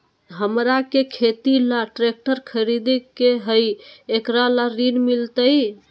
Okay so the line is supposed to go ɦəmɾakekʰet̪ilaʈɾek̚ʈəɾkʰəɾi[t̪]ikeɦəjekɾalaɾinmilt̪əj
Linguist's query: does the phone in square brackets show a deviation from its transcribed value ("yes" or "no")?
yes